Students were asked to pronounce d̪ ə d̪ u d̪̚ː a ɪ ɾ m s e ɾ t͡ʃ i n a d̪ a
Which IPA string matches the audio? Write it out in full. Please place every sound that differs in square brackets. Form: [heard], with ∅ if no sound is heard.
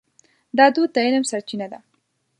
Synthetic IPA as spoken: d̪ [ɑ] d̪ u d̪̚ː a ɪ [l] m s [a] ɾ t͡ʃ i n a d̪ a